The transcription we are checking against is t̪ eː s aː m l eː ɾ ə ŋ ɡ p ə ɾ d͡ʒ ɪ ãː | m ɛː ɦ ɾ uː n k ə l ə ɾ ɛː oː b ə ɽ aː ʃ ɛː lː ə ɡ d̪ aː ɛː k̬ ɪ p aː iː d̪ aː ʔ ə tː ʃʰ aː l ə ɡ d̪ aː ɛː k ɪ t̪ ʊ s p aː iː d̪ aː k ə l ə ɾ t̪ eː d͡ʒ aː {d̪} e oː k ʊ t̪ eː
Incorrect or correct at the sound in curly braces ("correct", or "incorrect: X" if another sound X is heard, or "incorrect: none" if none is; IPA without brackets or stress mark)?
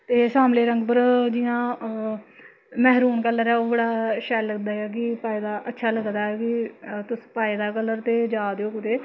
correct